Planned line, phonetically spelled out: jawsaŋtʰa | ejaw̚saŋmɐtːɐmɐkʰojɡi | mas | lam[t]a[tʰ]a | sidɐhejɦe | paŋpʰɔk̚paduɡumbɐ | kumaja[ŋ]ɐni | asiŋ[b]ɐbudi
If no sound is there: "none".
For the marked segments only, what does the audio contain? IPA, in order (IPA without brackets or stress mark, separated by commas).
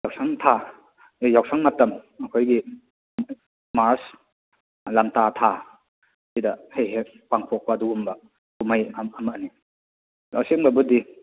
t, tʰ, m, b